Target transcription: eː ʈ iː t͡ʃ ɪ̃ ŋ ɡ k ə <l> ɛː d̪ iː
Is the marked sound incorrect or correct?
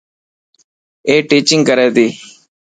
incorrect